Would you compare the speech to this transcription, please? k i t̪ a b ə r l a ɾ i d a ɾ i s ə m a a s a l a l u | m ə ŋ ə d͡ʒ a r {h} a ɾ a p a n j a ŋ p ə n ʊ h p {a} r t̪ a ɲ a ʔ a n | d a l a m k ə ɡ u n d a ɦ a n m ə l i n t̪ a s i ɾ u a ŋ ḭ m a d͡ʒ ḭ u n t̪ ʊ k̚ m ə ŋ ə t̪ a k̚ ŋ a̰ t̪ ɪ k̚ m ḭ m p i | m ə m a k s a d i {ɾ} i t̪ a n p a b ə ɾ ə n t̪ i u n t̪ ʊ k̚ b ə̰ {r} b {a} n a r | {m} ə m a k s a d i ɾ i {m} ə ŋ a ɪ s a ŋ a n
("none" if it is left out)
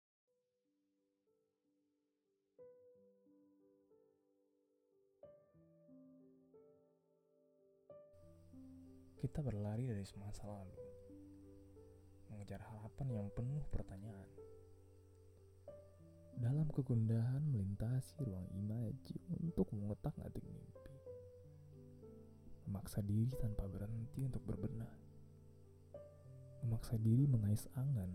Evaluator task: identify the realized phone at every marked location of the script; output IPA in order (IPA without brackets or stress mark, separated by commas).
h, ə, ɾ, r, ə, m, m